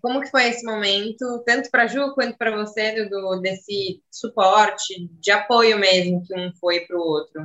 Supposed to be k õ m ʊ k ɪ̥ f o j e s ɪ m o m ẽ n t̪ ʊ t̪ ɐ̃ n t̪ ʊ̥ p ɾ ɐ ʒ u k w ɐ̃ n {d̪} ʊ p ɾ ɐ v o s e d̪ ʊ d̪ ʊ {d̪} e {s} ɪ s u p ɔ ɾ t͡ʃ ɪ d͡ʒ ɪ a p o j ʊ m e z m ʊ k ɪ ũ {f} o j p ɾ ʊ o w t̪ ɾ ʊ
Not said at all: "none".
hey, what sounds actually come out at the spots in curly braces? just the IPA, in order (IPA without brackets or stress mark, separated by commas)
t̪, d̪, s, f